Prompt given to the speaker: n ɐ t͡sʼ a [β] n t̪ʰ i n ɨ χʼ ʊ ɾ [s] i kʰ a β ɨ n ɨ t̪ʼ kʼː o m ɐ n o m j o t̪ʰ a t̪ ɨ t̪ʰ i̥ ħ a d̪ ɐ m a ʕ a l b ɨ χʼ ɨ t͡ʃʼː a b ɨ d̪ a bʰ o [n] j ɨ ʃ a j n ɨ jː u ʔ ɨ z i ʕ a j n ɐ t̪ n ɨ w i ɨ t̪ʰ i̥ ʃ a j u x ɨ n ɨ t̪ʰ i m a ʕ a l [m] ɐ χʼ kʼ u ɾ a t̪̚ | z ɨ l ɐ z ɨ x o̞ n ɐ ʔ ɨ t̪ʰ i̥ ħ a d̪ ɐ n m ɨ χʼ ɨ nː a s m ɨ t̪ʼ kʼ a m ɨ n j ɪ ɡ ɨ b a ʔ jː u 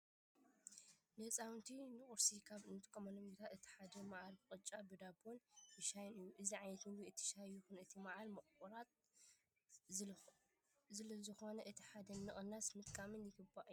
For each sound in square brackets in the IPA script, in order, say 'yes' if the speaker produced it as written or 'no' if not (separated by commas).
no, yes, yes, yes